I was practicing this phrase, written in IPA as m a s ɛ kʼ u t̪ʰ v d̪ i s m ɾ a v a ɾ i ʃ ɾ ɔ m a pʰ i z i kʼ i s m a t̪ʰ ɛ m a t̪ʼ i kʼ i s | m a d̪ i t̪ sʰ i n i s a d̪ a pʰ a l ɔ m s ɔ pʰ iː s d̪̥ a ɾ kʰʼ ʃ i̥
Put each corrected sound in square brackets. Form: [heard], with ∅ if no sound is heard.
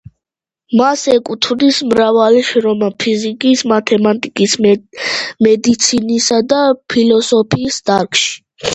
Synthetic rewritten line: m a s ɛ kʼ u t̪ʰ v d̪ i s m ɾ a v a [l] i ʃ ɾ ɔ m a pʰ i z i kʼ i s m a t̪ʰ ɛ m a t̪ʼ i kʼ i s | m [ɛ] d̪ i t̪ sʰ i n i s a d̪ a pʰ [i] l ɔ [∅] s ɔ pʰ iː s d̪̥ a ɾ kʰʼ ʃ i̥